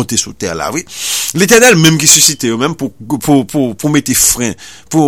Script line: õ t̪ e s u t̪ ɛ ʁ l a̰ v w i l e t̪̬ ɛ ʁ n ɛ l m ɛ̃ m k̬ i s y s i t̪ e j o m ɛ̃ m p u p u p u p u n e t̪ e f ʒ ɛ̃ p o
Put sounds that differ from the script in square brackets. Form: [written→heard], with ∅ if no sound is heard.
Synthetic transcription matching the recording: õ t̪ e s u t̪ ɛ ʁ l a̰ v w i l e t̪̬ ɛ ʁ n ɛ l m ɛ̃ m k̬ i s y s i t̪ e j o m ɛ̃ m p u p u p u p u [n→m] e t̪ e f [ʒ→ʁ] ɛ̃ p [o→u]